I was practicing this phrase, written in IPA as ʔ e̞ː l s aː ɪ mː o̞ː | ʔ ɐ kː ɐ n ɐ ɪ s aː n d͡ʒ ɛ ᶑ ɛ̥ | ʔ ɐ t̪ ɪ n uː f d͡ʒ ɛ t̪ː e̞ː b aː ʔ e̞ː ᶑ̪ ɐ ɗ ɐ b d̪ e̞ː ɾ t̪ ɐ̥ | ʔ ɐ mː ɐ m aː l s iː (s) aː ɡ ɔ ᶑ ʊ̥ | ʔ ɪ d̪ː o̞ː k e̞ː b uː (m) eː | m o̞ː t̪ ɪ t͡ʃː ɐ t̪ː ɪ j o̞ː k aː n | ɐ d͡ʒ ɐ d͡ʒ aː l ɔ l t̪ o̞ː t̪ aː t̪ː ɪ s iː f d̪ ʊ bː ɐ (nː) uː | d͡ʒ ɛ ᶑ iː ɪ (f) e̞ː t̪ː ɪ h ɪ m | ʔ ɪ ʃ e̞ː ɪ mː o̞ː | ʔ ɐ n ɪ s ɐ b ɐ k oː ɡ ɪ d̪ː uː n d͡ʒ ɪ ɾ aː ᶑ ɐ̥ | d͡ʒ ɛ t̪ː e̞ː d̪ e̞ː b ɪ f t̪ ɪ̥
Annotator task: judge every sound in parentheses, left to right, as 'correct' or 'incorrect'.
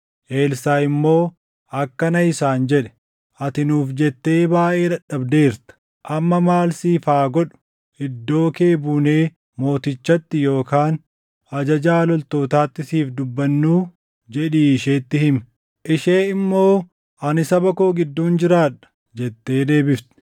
incorrect, incorrect, correct, incorrect

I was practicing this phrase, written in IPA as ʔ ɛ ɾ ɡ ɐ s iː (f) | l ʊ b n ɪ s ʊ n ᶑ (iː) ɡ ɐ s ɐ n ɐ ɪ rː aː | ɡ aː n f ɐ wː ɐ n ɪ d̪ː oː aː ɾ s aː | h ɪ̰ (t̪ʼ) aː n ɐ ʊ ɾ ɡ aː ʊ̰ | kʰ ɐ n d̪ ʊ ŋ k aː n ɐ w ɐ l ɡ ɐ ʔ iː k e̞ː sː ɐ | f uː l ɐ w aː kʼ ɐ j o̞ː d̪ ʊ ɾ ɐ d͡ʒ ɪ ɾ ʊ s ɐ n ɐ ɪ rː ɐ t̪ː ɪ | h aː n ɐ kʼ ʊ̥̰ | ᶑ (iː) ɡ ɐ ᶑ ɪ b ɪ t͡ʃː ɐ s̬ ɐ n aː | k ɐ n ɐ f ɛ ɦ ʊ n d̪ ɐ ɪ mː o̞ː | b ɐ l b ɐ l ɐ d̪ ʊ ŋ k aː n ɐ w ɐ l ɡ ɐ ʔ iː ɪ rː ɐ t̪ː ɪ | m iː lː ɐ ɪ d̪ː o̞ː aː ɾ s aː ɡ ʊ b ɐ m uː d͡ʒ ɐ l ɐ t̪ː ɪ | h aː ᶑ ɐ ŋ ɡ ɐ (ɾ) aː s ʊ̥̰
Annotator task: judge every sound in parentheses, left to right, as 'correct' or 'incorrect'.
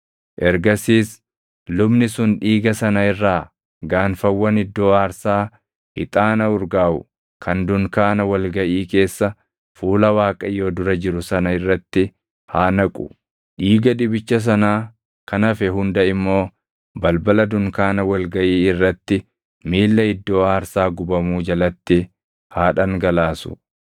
incorrect, correct, correct, correct, incorrect

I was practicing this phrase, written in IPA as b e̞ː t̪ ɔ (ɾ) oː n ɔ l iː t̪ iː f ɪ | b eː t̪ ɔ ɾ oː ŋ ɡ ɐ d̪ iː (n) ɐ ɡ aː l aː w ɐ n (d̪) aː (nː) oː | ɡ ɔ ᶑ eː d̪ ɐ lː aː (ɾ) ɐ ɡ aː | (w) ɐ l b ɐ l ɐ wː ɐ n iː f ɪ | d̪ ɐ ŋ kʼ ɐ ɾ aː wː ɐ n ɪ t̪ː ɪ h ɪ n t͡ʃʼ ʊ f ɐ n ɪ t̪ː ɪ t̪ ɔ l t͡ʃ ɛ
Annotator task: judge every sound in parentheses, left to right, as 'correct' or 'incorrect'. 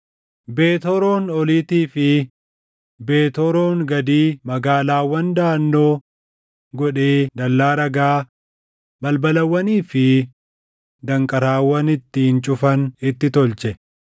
correct, incorrect, correct, correct, correct, incorrect

